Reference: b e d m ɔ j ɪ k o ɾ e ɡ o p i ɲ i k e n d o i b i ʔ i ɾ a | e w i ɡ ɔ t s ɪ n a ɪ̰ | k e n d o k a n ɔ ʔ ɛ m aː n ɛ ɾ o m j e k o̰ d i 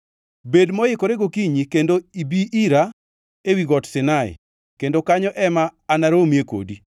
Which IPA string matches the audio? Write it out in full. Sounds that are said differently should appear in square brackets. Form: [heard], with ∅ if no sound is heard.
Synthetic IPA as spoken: b e d m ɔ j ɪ k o ɾ e ɡ o [k] i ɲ i k e n d o i b i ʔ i ɾ a | e w i ɡ ɔ t s ɪ n a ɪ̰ | k e n d o k a [ɲ] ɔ ʔ ɛ m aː n [a] ɾ o m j e k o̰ d i